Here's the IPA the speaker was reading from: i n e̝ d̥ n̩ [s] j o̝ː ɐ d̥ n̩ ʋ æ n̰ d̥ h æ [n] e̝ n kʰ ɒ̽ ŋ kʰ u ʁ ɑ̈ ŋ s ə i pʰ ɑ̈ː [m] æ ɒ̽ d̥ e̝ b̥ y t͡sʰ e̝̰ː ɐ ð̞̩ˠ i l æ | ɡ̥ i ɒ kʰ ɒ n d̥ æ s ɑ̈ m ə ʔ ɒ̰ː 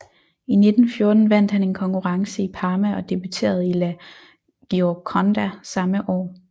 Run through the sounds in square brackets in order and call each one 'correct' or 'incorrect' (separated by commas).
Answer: incorrect, correct, correct